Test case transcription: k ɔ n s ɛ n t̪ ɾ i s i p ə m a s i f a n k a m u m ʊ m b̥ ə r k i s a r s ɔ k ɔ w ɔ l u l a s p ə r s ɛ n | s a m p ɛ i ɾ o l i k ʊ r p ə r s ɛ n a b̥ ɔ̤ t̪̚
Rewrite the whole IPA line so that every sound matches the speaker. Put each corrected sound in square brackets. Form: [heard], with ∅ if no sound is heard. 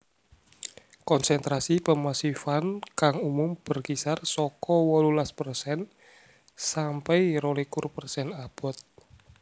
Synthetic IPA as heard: k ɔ n s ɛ n t̪ ɾ [a] s i p ə m a s i f a n k a [ŋ] u m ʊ m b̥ ə r k i s a r s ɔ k ɔ w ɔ l u l a s p ə r s ɛ n | s a m p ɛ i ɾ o l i k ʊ r p ə r s ɛ n a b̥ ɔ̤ t̪̚